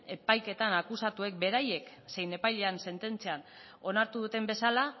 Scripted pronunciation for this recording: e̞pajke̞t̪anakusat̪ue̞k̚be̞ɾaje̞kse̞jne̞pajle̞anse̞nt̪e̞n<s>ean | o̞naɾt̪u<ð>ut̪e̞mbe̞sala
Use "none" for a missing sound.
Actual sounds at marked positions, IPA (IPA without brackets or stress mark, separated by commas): t͡s, ð